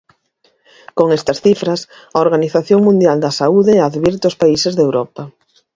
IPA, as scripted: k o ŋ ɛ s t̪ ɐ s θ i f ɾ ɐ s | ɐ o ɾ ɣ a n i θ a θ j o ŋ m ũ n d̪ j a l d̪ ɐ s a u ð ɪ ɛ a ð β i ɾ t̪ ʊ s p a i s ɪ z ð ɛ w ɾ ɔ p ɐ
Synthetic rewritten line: k o ŋ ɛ s t̪ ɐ s θ i f ɾ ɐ s | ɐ o ɾ ɣ a n i θ a θ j o ŋ m ũ n d̪ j a l d̪ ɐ s a u ð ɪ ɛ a ð β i ɾ t̪ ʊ s p a i s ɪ z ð e w ɾ ɔ p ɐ

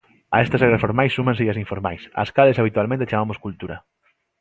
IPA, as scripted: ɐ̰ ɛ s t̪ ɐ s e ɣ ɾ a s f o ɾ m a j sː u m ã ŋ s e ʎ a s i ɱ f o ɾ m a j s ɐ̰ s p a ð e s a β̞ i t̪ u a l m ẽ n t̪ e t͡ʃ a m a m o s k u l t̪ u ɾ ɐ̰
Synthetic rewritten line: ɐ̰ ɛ s t̪ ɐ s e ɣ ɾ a s f o ɾ m a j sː u m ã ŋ s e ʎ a s i ɱ f o ɾ m a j s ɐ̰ s k a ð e s a β̞ i t̪ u a l m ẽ n t̪ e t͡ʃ a m a m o s k u l t̪ u ɾ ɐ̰

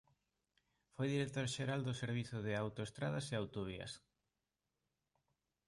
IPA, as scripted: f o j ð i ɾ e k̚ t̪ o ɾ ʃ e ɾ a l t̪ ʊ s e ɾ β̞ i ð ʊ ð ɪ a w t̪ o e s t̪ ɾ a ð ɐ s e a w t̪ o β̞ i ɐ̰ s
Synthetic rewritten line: f o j ð i ɾ e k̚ t̪ o ɾ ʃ e ɾ a l d̪ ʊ s e ɾ β̞ i θ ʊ ð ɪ a w t̪ o e s t̪ ɾ a ð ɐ s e a w t̪ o β̞ i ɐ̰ s

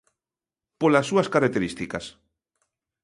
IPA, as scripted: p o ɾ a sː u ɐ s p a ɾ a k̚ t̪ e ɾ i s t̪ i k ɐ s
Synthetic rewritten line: p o l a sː u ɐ s k a ɾ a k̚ t̪ e ɾ i s t̪ i k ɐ s

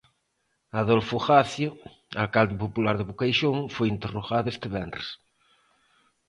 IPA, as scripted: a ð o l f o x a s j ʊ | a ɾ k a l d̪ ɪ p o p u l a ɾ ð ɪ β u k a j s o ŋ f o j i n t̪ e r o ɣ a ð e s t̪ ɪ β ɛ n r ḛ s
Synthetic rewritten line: a ð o l f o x a θ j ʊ | a l k a l d̪ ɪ p o p u l a ɾ ð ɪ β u k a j ʃ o ŋ f o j i n t̪ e r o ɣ a ð e s t̪ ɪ β ɛ n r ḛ s

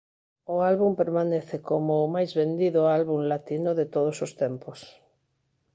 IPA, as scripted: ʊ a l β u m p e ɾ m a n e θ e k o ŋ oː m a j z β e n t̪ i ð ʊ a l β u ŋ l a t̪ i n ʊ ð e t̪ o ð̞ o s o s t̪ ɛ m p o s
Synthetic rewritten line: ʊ a l β u m p e ɾ m a n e θ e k o m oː m a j z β e n d̪ i ð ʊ a l β u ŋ l a t̪ i n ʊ ð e t̪ o ð̞ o s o s t̪ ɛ m p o s

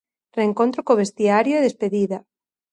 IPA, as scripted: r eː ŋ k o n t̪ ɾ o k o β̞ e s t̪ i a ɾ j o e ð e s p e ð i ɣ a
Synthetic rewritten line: r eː ŋ k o n t̪ ɾ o k o β̞ e s t̪ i a ɾ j o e ð e s p e ð i ð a

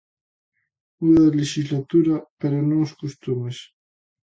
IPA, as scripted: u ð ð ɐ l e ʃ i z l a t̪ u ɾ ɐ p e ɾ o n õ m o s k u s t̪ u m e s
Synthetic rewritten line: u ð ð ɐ l e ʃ i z l a t̪ u ɾ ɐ p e ɾ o n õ ŋ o s k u s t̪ u m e s

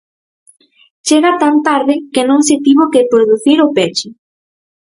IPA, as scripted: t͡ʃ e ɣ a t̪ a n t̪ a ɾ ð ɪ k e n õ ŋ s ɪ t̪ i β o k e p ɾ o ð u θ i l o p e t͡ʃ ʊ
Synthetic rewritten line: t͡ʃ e ɣ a t̪ a n t̪ a ɾ ð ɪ k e n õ ŋ s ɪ t̪ i β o k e p ɾ o ð u θ i ɾ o p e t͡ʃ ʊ

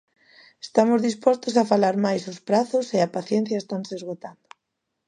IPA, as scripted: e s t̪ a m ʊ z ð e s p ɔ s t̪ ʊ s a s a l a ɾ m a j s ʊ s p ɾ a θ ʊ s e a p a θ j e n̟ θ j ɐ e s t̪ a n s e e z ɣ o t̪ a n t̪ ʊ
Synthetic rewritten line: e s t̪ a m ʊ z ð i s p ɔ s t̪ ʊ s a f a l a ɾ m a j s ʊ s p ɾ a θ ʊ s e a p a θ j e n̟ θ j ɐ e s t̪ a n s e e z ɣ o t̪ a n d̪ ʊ

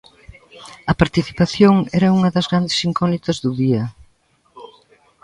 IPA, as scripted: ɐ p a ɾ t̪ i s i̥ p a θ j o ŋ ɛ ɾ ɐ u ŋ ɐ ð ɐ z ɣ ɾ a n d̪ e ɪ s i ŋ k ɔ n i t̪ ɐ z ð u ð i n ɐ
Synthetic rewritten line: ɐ p a ɾ t̪ i θ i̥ p a θ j o ŋ ɛ ɾ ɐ u ŋ ɐ ð ɐ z ɣ ɾ a n d̪ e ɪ s i ŋ k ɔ n i t̪ ɐ z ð u ð i ɐ

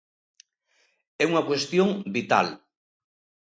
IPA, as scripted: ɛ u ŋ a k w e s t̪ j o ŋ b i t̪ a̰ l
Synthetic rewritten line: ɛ u ŋ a k w e s t̪ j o ŋ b i t̪ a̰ l

